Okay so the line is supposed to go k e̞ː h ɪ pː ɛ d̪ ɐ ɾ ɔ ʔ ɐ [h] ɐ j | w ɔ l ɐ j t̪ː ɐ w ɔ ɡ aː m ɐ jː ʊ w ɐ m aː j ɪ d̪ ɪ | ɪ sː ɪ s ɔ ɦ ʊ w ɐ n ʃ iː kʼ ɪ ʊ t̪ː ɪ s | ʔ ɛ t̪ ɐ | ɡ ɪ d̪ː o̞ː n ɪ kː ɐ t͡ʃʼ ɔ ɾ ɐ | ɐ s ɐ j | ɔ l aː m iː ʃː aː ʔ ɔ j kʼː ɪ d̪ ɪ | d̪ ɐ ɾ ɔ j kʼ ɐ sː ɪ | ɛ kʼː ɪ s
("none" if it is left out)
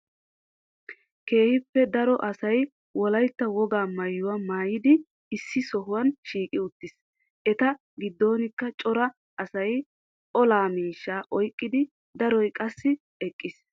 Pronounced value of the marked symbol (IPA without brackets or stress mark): s